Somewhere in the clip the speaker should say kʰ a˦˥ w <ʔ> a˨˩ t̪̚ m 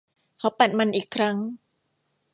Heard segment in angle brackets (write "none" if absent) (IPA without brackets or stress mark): p